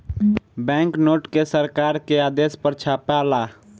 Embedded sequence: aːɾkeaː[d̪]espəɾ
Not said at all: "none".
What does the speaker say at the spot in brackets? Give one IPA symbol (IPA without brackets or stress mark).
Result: d̪